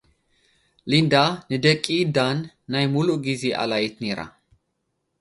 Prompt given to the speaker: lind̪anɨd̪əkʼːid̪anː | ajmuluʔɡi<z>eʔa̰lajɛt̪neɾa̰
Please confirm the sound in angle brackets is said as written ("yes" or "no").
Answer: yes